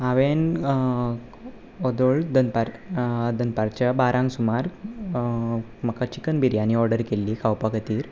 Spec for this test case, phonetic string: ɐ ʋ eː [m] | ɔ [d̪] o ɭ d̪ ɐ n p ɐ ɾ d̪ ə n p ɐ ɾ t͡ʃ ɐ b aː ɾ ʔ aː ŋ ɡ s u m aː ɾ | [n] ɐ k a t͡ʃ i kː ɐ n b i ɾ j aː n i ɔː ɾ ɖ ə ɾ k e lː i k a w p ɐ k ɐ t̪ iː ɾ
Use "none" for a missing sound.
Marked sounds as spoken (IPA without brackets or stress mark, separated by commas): n, d̪, m